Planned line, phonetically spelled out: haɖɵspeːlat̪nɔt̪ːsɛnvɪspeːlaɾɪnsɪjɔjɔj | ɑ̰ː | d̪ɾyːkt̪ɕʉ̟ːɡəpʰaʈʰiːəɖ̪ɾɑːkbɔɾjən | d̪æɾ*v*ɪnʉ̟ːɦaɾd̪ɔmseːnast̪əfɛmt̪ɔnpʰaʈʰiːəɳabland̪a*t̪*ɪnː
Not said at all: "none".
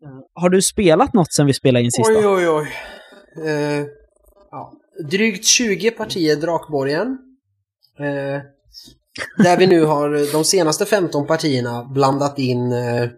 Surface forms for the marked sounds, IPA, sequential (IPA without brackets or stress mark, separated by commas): v, t̪